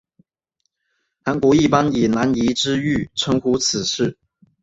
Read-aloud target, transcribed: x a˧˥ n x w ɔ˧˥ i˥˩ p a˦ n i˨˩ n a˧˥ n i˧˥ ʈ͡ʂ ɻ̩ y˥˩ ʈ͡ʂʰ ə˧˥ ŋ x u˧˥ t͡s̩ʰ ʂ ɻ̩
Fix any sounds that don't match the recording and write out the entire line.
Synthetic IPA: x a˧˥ n k w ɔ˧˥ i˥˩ p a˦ n i˨˩ n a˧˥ n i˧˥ ʈ͡ʂ ɻ̩ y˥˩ ʈ͡ʂʰ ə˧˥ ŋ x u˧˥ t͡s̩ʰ ʂ ɻ̩